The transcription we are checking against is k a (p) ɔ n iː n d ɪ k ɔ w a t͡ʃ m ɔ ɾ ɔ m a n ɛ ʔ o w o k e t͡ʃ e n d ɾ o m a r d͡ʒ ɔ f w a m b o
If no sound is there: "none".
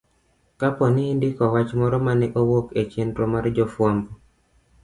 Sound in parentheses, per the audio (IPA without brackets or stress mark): p